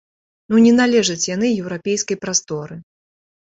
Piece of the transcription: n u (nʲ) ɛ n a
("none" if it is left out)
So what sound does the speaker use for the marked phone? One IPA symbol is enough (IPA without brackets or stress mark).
nʲ